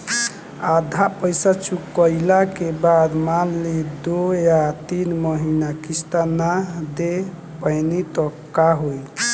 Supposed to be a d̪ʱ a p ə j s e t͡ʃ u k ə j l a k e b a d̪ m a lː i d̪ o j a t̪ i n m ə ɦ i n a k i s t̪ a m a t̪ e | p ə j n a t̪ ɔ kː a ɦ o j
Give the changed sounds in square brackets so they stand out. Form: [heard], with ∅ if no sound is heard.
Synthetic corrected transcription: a d̪ʱ a p ə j s [a] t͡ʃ u k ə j l a k e b a d̪ m a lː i d̪ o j a t̪ i n m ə ɦ i n a k i s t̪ a [n] a [d̪] e | p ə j n [i] t̪ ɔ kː a ɦ o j